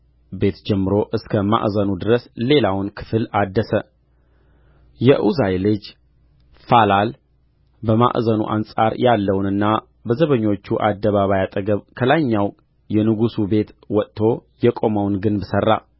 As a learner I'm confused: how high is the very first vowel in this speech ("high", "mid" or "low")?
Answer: mid